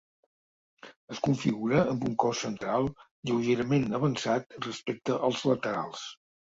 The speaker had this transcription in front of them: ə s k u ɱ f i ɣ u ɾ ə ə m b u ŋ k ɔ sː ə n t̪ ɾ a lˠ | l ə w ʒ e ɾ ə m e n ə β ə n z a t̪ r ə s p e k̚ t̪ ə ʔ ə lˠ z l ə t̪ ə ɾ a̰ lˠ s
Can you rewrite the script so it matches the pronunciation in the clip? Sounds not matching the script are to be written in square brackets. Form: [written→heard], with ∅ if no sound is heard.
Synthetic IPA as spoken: ə s k u ɱ f i ɣ u ɾ ə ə m b u ŋ k ɔ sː ə n t̪ ɾ a lˠ | [l→ʎ] ə w ʒ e ɾ ə m e n ə β ə n [z→s] a t̪ r ə s p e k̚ t̪ ə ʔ ə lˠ z l ə t̪ ə ɾ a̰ lˠ s